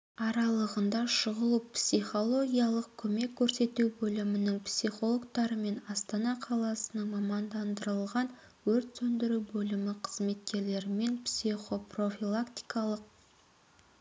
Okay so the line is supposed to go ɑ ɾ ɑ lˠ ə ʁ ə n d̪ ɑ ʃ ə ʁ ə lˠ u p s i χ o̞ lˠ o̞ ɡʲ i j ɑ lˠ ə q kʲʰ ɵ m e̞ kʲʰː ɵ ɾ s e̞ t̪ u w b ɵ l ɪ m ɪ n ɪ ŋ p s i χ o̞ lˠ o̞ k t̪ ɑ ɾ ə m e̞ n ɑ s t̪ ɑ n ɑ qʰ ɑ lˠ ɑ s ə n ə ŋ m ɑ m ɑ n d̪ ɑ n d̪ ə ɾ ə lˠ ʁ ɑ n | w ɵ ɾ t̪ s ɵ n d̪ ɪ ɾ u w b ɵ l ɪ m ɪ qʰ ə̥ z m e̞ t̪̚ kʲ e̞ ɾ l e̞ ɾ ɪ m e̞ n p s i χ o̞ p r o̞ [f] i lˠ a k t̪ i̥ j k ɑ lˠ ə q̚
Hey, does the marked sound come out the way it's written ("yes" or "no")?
yes